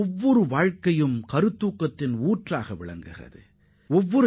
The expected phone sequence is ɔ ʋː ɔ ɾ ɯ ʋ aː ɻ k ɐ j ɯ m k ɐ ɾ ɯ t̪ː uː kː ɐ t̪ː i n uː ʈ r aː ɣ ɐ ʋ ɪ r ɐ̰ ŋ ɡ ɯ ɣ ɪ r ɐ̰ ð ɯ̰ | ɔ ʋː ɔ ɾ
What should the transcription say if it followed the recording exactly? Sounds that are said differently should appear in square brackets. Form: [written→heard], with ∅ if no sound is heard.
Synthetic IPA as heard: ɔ ʋː ɔ ɾ ɯ ʋ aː ɻ k ɐ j ɯ m k ɐ ɾ ɯ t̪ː uː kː ɐ t̪ː [i→ɪ] n uː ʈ r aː ɣ ɐ ʋ ɪ [r→ɭ] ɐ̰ ŋ ɡ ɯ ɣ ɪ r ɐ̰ ð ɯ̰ | ɔ ʋː ɔ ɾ